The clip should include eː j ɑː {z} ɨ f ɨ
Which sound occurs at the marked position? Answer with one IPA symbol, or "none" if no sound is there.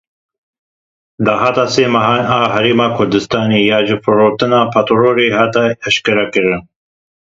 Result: ʒ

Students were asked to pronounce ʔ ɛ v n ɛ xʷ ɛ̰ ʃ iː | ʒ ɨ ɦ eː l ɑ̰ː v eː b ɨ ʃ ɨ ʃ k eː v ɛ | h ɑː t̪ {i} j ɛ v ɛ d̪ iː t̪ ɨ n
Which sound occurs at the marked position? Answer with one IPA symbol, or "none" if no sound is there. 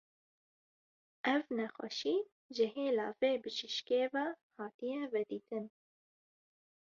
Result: i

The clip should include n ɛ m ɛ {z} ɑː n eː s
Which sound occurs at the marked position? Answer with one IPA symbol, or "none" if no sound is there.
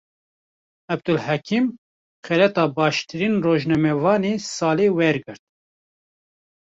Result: v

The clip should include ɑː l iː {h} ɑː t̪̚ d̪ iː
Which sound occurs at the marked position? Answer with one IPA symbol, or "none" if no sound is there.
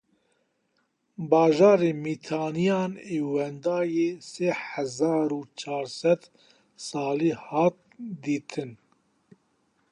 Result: h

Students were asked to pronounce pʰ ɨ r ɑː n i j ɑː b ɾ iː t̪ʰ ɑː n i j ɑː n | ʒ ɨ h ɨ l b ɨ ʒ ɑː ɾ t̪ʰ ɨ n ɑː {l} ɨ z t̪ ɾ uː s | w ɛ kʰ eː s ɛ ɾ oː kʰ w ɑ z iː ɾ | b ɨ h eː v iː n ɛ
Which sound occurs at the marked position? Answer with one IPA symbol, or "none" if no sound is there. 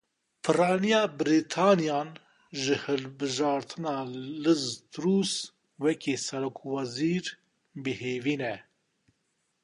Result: l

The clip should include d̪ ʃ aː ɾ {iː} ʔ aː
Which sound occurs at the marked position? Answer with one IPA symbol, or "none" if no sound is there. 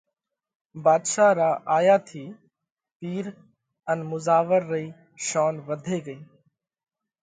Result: aː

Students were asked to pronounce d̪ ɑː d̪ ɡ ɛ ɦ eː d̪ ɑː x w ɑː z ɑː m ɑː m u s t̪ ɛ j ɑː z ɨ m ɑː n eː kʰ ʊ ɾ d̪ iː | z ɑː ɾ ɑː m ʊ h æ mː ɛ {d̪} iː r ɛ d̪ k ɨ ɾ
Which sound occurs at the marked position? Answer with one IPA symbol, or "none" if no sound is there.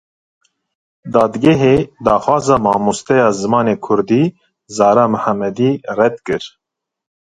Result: d̪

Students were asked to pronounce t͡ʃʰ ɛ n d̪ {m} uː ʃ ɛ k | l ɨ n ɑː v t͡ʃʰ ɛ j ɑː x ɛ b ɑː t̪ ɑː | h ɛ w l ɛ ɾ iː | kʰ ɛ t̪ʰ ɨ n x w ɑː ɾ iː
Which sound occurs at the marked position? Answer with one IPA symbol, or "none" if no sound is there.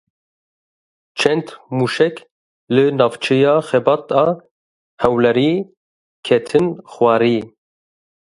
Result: m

